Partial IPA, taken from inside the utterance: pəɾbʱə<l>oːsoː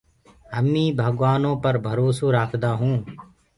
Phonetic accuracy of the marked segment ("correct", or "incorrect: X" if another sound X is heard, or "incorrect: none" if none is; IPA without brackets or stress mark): incorrect: ɾ